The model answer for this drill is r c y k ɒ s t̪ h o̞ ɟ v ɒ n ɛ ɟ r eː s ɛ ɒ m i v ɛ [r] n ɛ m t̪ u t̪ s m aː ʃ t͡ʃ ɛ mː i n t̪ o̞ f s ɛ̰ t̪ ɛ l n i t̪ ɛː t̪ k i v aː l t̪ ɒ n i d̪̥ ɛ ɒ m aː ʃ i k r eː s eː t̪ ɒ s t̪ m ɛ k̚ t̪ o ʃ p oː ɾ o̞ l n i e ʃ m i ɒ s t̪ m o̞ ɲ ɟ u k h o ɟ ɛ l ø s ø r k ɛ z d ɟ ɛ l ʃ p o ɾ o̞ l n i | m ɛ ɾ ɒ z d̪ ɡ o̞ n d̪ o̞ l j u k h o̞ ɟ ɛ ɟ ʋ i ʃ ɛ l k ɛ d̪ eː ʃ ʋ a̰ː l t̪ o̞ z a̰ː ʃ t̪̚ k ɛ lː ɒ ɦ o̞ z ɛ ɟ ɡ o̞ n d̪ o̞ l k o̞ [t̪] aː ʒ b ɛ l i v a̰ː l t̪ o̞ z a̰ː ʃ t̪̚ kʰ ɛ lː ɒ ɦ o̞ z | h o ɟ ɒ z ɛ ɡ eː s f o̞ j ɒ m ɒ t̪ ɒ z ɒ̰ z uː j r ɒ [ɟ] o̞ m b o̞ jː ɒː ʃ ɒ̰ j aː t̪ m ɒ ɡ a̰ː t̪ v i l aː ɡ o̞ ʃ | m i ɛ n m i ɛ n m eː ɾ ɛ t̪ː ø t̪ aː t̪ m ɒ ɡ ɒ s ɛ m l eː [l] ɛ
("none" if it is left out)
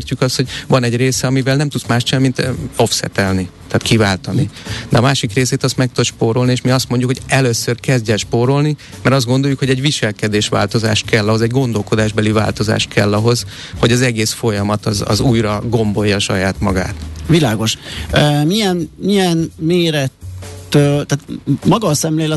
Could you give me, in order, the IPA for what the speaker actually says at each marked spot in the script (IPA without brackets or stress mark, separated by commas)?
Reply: l, d̪, ɡ, l